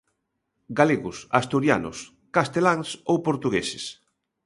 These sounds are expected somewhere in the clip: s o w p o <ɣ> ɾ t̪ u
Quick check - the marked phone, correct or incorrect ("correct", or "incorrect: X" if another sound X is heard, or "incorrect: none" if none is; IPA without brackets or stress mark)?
incorrect: none